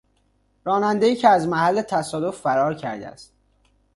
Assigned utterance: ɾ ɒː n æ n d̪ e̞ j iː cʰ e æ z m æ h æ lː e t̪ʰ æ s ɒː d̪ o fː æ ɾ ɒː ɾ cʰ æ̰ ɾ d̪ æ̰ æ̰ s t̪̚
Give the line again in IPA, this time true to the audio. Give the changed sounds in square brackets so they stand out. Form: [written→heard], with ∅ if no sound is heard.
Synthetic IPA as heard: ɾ ɒː n æ n d̪ e̞ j iː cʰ e æ z m æ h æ lː e t̪ʰ æ s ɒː d̪ o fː æ ɾ ɒː ɾ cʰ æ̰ ɾ d̪ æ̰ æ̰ s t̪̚

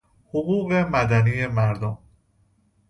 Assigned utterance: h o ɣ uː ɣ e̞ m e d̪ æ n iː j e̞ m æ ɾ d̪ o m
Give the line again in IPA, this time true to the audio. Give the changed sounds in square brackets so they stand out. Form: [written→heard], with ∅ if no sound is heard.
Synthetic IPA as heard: h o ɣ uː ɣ e̞ m [e→æ] d̪ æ n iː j e̞ m æ ɾ d̪ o m

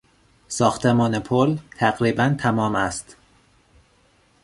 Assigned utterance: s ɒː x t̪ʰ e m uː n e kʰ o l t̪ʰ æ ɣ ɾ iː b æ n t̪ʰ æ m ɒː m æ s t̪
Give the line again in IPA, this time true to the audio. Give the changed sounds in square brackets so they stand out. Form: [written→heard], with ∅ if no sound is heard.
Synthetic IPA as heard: s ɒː x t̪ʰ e m [uː→ɒː] n e [kʰ→pʰ] o l t̪ʰ æ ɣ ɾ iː b æ n t̪ʰ æ m ɒː m æ s t̪

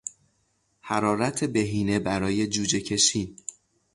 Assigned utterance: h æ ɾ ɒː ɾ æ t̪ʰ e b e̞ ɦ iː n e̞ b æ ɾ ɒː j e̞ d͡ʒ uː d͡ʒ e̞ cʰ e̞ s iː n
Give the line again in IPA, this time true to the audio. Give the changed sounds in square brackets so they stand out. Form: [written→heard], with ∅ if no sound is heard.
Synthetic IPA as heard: h æ ɾ ɒː ɾ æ t̪ʰ e b e̞ ɦ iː n e̞ b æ ɾ ɒː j e̞ d͡ʒ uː d͡ʒ e̞ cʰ e̞ [s→ʃ] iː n

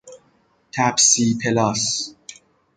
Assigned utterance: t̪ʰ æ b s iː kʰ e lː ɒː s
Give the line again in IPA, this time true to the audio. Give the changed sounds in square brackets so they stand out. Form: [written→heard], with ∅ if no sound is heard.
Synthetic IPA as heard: t̪ʰ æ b s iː [kʰ→pʰ] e [lː→l] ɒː s

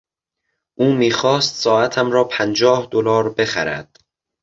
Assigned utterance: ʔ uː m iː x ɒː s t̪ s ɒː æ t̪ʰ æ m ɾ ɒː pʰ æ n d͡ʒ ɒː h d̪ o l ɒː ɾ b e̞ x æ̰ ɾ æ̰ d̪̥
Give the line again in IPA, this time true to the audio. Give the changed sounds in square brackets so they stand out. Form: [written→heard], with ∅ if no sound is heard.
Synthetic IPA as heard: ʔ uː m iː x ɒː s t̪ s ɒː æ t̪ʰ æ m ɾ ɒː pʰ æ n d͡ʒ ɒː h d̪ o l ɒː ɾ b e̞ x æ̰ ɾ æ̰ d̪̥

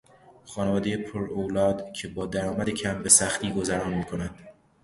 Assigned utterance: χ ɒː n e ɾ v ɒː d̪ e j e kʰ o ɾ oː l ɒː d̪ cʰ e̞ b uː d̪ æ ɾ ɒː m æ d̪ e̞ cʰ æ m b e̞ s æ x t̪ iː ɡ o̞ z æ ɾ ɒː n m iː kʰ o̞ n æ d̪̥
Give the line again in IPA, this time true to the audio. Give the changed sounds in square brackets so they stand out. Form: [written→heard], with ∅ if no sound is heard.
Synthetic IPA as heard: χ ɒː n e [ɾ→∅] v ɒː d̪ e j e [kʰ→pʰ] o ɾ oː l ɒː d̪ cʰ e̞ b [uː→ɒː] d̪ æ ɾ ɒː m æ d̪ e̞ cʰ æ m b e̞ s æ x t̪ iː ɡ o̞ z æ ɾ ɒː n m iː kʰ o̞ n æ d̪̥

